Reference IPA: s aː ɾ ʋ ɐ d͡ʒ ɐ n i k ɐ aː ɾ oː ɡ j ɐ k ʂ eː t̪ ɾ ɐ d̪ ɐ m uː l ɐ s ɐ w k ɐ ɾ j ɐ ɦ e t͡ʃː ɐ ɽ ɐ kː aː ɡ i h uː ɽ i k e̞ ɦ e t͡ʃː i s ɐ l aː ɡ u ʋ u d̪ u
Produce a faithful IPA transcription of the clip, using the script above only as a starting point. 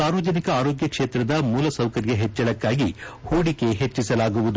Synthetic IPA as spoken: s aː ɾ ʋ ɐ d͡ʒ ɐ n i k ɐ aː ɾ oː ɡ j ɐ k ʂ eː t̪ ɾ ɐ d̪ ɐ m uː l ɐ s ɐ w k ɐ ɾ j ɐ ɦ e t͡ʃː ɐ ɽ ɐ kː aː ɡ i h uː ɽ i k e̞ ɦ e t͡ʃː i s ɐ l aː ɡ u ʋ u d̪ u

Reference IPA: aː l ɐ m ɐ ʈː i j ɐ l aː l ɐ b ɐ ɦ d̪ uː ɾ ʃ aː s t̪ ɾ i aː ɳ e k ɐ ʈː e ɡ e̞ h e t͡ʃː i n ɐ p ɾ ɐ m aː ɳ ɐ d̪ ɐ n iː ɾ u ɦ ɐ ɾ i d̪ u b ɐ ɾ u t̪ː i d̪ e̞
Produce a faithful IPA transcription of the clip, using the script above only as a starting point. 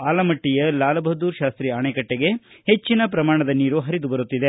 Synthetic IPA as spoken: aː l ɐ m ɐ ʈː i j ɐ l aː l ɐ b ɐ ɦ d̪ uː ɾ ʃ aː s t̪ ɾ i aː ɳ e k ɐ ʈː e ɡ e̞ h e t͡ʃː i n ɐ p ɾ ɐ m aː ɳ ɐ d̪ ɐ n iː ɾ u ɦ ɐ ɾ i d̪ u b ɐ ɾ u t̪ː i d̪ e̞

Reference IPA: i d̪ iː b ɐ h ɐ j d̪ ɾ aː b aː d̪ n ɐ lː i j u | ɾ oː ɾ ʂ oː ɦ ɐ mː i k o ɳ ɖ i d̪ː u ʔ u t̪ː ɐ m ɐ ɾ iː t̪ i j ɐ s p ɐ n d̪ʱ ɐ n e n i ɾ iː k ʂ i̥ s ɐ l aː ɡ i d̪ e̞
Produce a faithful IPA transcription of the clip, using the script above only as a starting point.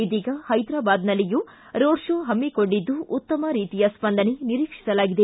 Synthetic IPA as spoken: i d̪ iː ɡ ɐ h ɐ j d̪ ɾ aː b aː d̪ n ɐ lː i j u | ɾ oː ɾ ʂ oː ɦ ɐ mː i k o ɳ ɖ i d̪ː u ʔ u t̪ː ɐ m ɐ ɾ iː t̪ i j ɐ s p ɐ n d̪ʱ ɐ n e n i ɾ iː k ʂ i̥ s ɐ l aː ɡ i d̪ e̞

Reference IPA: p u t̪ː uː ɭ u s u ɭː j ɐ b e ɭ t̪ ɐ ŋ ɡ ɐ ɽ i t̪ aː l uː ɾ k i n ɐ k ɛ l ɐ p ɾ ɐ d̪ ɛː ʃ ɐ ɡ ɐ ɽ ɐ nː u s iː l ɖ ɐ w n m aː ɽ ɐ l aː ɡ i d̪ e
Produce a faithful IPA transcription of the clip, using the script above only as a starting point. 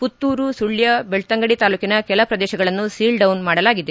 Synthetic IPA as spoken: p u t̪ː uː ɾ u s u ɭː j ɐ b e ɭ t̪ ɐ ŋ ɡ ɐ ɽ i t̪ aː l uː k i n ɐ k ɛ l ɐ p ɾ ɐ d̪ ɛː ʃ ɐ ɡ ɐ ɭ ɐ nː u s iː l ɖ ɐ w n m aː ɽ ɐ l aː ɡ i d̪ e

